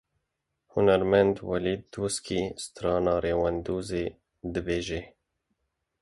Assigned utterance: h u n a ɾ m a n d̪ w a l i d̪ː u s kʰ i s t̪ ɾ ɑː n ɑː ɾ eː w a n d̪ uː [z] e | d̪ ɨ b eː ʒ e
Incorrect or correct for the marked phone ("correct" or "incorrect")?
correct